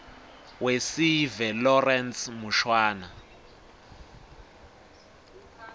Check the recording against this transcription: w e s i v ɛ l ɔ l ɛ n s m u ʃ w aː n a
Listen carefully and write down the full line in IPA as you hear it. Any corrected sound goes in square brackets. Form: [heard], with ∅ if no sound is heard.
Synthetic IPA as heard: w e s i v ɛ l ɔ [r] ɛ n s m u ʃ w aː n a